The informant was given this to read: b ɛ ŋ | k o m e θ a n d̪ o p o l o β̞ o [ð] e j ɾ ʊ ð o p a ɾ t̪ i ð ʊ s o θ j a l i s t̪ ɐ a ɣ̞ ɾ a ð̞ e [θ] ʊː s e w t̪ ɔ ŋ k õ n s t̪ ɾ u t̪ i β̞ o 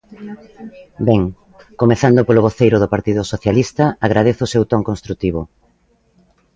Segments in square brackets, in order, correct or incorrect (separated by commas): incorrect, correct